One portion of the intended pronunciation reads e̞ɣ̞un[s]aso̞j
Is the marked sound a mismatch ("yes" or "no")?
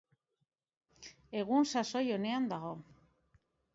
no